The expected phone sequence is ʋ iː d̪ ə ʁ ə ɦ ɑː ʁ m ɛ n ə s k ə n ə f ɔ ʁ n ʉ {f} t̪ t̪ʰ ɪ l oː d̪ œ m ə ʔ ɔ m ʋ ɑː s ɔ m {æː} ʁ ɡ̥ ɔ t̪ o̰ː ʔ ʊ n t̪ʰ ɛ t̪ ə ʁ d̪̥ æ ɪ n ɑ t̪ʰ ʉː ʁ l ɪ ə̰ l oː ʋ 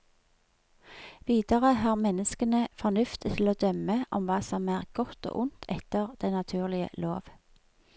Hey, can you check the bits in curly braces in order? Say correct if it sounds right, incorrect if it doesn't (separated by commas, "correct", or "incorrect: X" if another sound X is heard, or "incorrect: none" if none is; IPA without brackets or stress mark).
correct, correct